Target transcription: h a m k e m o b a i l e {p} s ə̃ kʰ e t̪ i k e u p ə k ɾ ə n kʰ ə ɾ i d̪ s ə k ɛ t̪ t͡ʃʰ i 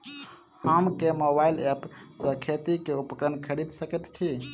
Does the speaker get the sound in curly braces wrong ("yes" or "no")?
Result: no